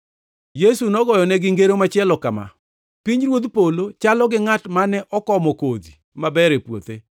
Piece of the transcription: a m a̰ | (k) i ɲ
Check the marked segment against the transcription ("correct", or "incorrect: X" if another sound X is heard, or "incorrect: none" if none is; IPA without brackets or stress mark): incorrect: p